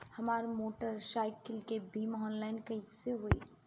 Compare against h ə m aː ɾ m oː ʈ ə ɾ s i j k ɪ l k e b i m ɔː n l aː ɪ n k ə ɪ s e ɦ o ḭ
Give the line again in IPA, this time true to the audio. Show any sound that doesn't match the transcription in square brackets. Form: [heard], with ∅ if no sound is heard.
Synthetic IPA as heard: h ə m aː ɾ m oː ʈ ə ɾ s [a] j k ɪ l k e b i m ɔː n l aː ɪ n k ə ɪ s e ɦ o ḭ